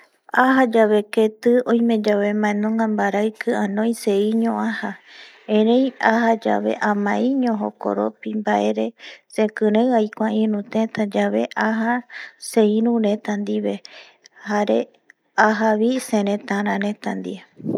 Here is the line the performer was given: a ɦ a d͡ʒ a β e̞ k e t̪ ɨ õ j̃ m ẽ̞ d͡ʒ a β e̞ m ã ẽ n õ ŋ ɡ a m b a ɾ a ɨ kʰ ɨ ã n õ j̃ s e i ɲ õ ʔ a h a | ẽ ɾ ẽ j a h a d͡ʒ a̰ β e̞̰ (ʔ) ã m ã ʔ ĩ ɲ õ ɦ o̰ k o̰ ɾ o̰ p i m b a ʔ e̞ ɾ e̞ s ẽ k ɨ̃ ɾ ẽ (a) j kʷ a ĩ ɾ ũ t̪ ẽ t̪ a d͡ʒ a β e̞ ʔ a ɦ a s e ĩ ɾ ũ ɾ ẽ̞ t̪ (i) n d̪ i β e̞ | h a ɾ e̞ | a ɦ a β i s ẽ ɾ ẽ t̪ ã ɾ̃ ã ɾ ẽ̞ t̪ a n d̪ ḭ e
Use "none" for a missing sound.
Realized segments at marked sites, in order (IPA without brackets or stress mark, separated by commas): ʔ, a, a